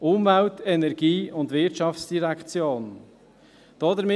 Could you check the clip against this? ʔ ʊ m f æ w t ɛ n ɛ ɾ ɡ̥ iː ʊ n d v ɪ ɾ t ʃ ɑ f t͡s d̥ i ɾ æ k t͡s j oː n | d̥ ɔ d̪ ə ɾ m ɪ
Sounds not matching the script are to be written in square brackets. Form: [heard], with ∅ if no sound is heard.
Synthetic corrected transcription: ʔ ʊ m [v] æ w t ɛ n ɛ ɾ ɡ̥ iː ʊ n d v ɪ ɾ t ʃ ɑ f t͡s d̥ i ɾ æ k t͡s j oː n | d̥ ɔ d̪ ə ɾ m ɪ